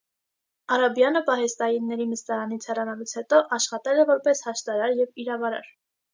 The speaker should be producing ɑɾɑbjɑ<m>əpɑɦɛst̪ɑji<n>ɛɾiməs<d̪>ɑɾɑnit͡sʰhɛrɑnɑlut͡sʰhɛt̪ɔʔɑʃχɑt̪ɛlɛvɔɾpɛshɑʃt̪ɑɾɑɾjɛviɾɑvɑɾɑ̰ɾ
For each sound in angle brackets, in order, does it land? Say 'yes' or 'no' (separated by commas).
no, no, no